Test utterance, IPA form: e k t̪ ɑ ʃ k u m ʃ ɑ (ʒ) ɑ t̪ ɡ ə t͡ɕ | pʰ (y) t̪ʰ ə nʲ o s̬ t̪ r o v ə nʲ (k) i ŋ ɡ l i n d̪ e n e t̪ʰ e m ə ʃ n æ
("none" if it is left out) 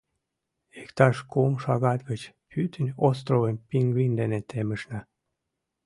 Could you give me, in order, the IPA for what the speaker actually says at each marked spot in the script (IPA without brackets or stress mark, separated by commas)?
ɣ, y, p